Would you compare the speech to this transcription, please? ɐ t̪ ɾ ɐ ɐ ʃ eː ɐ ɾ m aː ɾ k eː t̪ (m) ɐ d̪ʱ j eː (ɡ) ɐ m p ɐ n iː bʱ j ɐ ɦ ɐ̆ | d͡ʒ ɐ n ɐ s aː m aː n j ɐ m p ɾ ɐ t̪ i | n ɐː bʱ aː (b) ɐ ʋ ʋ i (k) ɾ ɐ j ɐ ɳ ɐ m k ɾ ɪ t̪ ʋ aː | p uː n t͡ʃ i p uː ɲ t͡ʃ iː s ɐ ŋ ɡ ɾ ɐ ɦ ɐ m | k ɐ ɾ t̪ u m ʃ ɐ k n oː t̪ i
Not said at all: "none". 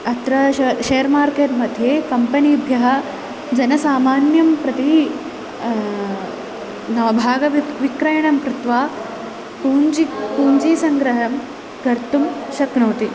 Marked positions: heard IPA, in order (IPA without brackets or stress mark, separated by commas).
m, k, ɡ, k